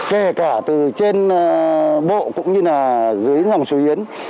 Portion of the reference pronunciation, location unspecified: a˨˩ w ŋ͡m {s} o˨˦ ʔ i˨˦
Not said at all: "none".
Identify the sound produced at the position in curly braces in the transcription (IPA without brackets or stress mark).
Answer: s